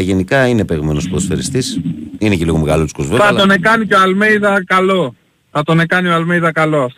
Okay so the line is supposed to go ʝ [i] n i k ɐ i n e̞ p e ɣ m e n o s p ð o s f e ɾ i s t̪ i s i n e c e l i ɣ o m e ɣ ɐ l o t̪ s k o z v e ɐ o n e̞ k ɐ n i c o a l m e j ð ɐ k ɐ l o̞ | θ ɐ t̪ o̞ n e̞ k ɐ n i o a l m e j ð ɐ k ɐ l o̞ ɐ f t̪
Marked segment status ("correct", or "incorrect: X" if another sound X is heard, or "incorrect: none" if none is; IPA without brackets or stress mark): incorrect: e